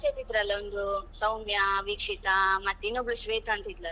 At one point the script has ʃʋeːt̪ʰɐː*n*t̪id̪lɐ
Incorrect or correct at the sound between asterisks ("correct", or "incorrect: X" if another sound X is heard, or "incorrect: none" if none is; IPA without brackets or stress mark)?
correct